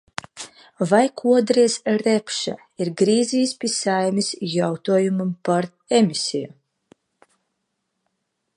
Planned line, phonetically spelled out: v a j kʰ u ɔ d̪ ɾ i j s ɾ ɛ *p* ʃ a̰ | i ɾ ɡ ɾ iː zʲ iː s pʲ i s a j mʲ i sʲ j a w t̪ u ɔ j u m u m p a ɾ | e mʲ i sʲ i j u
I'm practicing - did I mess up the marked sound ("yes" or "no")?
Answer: no